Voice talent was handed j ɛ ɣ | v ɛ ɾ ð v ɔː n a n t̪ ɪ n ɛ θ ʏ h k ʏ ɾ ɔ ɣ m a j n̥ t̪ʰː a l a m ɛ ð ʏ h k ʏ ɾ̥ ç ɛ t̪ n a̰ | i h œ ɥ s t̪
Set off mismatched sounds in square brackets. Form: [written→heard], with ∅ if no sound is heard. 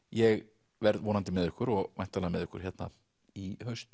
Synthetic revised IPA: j ɛ ɣ | v ɛ ɾ ð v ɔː n a n t̪ ɪ [n→m] ɛ [θ→ð] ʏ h k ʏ ɾ ɔ ɣ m a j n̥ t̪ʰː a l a m ɛ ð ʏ h k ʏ ɾ̥ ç ɛ t̪ n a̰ | i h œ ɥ s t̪